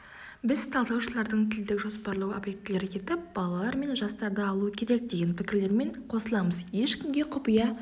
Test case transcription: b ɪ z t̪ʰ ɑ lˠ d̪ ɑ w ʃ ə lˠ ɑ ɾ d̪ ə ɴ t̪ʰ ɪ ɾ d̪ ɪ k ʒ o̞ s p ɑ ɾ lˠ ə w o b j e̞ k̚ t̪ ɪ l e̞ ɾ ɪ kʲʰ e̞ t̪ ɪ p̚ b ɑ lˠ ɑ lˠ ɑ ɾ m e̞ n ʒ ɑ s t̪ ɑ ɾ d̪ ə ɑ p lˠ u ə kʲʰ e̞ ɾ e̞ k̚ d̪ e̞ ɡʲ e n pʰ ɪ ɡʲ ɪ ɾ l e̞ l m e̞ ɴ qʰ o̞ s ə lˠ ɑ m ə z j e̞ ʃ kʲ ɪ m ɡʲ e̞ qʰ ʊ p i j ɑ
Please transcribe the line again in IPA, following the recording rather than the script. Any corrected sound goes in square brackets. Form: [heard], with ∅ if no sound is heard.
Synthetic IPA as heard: b ɪ z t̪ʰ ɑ lˠ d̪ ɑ w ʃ ə lˠ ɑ ɾ d̪ ə ɴ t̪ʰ ɪ [l] d̪ ɪ k ʒ o̞ s p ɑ ɾ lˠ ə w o b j e̞ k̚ t̪ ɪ l e̞ ɾ ɪ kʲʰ e̞ t̪ ɪ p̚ b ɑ lˠ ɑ lˠ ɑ ɾ m e̞ n ʒ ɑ s t̪ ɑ ɾ d̪ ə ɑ [∅] lˠ u ə kʲʰ e̞ ɾ e̞ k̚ d̪ e̞ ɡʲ e n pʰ ɪ [kʲ] ɪ ɾ l e̞ [ɾ] m e̞ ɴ qʰ o̞ s ə lˠ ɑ m ə z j e̞ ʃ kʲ ɪ m ɡʲ e̞ qʰ ʊ p i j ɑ

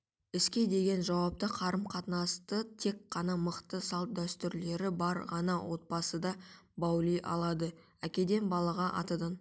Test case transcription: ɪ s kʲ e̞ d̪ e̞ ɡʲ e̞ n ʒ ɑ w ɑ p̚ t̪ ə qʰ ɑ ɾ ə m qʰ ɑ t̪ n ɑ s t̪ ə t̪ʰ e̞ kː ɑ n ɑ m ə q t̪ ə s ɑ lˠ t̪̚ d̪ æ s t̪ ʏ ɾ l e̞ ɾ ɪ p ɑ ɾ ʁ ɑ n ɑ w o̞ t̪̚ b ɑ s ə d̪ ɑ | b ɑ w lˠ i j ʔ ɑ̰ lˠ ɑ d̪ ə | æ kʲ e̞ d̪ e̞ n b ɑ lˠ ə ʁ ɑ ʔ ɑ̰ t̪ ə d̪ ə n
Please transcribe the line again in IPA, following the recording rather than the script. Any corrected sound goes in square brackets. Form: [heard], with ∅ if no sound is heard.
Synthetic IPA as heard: ɪ s kʲ e̞ d̪ e̞ ɡʲ e̞ n ʒ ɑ w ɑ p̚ t̪ ə qʰ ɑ ɾ ə m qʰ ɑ t̪ n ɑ s t̪ ə t̪ʰ e̞ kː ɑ n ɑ m ə q t̪ ə s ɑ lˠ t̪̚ d̪ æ s t̪ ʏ ɾ l e̞ ɾ ɪ [b] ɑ ɾ ʁ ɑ n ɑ w o̞ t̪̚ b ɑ s ə d̪ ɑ | b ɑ w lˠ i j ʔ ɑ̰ lˠ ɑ d̪ ə | æ kʲ e̞ d̪ e̞ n b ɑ lˠ [ɑ] ʁ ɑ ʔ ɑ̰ t̪ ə d̪ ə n

